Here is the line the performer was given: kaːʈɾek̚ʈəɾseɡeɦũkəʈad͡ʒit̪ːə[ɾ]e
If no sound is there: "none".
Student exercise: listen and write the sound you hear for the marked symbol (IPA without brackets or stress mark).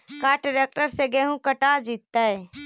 none